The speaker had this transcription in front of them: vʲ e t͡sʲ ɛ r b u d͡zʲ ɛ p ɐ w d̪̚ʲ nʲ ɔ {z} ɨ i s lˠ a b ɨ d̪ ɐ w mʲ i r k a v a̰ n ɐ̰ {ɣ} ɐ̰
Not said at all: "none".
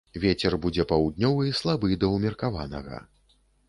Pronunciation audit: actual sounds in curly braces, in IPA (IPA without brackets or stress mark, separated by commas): v, ɣ